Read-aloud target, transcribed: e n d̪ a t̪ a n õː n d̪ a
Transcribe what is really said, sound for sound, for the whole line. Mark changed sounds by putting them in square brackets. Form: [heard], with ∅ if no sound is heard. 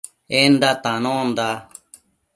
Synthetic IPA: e n d̪ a t̪ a n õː n d̪ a